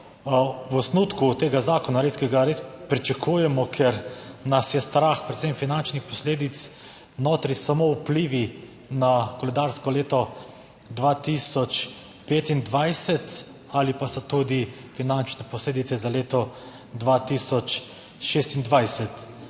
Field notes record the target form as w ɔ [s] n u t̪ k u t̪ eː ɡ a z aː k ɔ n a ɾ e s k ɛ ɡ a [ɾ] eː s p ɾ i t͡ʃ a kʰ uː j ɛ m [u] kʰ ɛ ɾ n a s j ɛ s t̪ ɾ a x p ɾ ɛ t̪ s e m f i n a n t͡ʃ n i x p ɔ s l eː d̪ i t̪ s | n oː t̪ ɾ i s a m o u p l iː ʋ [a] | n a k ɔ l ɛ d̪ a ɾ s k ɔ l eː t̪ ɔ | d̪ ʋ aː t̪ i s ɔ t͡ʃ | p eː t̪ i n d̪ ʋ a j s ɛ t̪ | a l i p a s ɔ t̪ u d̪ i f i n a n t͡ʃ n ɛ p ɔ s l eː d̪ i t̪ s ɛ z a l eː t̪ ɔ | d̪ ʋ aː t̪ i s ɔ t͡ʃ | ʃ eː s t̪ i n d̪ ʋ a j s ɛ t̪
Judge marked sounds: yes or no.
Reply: yes, yes, no, no

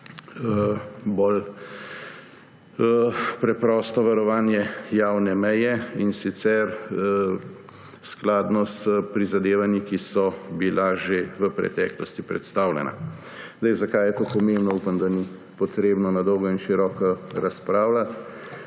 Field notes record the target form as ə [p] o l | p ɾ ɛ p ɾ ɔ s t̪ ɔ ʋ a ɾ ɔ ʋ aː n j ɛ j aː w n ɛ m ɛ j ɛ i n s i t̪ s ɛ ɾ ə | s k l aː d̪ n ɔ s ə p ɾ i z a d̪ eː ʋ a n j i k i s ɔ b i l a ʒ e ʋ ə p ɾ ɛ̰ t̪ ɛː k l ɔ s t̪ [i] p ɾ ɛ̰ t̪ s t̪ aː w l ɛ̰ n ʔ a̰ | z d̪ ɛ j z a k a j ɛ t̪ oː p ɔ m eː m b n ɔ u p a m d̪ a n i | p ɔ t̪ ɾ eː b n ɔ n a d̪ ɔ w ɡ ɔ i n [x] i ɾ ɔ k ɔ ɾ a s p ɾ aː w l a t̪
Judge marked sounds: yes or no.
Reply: no, yes, no

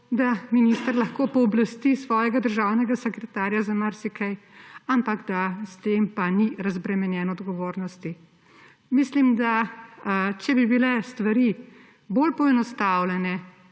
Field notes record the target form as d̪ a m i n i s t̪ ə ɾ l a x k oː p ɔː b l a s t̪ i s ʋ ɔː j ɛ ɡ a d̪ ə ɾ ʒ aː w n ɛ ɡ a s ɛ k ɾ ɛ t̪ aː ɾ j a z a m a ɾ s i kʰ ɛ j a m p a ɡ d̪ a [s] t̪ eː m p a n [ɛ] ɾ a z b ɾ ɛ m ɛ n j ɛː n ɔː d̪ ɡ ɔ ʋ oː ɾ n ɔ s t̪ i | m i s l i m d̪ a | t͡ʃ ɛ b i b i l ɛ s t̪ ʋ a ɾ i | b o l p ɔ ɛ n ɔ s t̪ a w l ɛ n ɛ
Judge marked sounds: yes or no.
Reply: yes, no

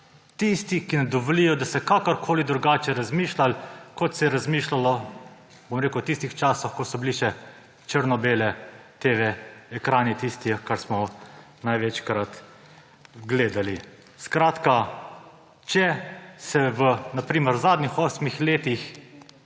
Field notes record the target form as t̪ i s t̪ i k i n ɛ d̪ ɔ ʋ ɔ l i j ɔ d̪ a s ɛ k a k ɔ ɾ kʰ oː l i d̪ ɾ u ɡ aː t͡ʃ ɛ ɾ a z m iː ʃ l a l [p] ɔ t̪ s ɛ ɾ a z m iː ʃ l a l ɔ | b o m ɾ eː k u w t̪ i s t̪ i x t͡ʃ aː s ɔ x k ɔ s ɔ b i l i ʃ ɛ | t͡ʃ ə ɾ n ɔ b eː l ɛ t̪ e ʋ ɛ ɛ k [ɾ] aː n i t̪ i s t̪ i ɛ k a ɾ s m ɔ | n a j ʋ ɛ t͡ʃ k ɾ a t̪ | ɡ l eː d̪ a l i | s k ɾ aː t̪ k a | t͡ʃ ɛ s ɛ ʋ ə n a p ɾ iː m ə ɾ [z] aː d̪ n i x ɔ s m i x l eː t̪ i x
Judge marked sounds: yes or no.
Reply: no, yes, yes

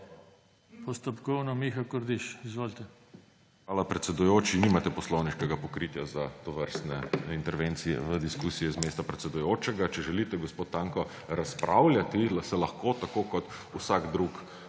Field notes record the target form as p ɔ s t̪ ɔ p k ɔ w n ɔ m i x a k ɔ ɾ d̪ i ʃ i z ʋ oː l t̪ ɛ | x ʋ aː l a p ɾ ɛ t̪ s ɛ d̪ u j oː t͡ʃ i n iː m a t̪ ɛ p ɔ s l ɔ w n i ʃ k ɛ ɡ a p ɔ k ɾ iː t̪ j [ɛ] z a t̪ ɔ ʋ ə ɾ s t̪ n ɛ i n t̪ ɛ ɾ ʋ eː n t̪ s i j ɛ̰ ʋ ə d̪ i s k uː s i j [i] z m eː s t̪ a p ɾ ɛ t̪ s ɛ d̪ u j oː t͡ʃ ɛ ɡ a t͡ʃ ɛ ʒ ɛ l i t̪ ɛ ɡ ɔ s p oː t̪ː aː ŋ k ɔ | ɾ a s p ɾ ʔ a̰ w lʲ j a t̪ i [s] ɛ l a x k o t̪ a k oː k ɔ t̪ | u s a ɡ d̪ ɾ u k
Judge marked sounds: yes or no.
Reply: no, no, yes

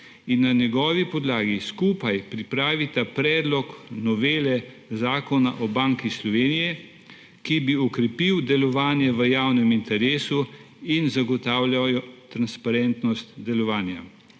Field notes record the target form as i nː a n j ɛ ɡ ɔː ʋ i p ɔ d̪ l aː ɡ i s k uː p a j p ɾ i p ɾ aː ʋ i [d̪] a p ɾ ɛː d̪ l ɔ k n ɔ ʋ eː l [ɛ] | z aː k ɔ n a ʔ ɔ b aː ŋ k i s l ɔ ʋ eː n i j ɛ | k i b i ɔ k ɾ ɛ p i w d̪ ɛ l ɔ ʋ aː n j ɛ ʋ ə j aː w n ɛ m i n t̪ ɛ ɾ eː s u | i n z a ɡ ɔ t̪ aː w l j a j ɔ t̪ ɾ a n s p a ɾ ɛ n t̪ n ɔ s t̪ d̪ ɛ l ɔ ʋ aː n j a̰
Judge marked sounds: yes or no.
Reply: no, yes

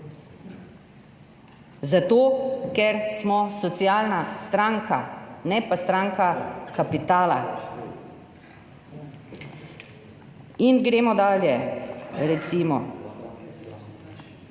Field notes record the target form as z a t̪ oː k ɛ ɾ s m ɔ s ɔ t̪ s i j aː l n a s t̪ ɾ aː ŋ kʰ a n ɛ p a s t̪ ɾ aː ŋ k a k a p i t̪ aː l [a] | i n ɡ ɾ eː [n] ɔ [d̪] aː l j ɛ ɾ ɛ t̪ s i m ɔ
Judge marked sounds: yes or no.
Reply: yes, no, yes

